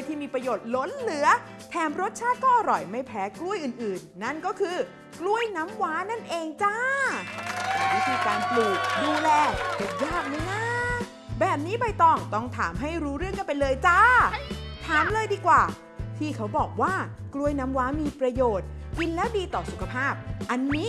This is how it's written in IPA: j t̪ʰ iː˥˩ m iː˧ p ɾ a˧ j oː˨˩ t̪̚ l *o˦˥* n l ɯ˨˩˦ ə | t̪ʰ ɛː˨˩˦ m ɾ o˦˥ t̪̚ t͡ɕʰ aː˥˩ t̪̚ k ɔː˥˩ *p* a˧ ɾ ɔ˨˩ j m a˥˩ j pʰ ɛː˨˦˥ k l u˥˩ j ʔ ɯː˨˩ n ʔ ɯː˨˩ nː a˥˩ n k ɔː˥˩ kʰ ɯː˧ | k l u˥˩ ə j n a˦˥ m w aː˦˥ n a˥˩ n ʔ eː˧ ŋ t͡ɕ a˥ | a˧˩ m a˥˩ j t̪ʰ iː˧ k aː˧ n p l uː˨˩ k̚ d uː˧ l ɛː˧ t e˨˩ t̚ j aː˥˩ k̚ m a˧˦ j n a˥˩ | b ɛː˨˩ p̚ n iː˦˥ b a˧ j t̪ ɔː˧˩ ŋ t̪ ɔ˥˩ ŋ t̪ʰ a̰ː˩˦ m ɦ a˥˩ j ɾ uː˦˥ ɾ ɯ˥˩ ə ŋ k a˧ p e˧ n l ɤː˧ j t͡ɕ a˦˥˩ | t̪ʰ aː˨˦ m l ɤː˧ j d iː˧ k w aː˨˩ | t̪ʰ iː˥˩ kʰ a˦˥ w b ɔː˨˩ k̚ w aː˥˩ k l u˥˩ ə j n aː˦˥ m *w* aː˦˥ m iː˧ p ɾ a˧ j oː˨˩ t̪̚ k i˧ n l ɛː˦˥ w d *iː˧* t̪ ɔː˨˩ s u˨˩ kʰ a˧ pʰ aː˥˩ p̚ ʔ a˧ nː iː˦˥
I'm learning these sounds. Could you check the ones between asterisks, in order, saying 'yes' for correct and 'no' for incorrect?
yes, no, yes, yes

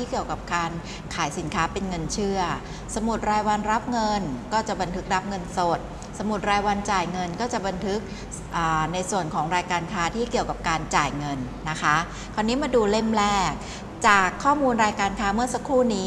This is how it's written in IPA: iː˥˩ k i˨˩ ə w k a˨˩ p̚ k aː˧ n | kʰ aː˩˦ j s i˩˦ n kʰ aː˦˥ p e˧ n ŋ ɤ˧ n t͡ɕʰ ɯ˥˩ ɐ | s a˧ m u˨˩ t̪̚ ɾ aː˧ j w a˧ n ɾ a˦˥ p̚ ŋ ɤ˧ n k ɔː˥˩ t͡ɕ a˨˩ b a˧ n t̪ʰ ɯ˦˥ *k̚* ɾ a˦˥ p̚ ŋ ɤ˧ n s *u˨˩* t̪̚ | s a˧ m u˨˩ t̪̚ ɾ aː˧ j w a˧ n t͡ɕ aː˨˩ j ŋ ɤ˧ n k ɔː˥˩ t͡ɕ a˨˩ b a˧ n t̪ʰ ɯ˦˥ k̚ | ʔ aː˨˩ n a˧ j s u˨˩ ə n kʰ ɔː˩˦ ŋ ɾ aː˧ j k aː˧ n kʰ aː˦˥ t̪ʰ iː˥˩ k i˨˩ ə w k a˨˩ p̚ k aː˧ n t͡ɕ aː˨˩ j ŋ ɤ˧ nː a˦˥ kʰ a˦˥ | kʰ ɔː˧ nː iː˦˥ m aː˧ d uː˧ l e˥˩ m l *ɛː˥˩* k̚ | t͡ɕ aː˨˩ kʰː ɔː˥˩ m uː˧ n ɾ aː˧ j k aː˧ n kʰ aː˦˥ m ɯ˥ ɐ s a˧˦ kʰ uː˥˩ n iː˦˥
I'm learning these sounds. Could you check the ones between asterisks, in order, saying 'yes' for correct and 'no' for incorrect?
yes, no, yes

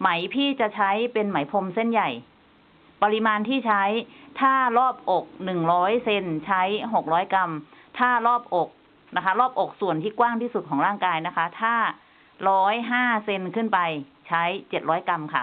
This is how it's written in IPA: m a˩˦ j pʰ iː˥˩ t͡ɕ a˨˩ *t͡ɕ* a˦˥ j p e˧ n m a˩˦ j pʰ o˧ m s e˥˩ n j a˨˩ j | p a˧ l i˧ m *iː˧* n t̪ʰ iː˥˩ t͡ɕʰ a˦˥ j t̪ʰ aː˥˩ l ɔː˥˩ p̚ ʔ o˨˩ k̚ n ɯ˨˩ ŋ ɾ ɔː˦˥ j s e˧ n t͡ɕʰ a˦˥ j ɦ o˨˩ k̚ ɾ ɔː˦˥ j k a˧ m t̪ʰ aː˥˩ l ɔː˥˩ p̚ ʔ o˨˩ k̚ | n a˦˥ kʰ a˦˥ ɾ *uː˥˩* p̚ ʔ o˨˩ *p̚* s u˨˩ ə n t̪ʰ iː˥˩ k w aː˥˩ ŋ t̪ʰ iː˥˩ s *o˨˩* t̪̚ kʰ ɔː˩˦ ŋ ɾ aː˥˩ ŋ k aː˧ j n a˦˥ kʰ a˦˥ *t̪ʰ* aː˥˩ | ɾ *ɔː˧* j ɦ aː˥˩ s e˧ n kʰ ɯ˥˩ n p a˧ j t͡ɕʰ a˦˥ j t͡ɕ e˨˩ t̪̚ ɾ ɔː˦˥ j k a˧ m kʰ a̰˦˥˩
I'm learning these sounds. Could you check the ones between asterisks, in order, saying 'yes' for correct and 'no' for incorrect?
no, no, no, no, no, yes, no

